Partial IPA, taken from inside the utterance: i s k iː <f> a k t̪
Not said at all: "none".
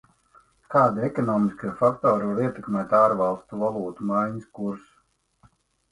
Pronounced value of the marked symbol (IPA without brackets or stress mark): f